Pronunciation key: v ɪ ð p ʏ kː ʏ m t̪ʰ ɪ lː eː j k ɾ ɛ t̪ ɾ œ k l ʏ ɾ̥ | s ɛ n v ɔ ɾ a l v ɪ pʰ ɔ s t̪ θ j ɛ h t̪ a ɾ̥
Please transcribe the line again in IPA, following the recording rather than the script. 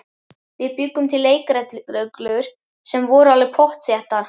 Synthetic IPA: v ɪ ð p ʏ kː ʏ m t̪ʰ ɪ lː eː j k ɾ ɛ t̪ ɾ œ k l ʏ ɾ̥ | s ɛ m v ɔ ɾ a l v ɪ pʰ ɔ h t̪ θ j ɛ h t̪ a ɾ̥